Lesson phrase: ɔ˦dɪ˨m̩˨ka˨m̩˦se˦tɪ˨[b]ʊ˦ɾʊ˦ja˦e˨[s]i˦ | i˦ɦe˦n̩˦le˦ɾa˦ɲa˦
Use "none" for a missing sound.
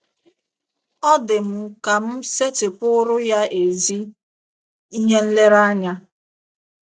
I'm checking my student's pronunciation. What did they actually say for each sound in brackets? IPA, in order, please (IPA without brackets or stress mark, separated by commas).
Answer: p, z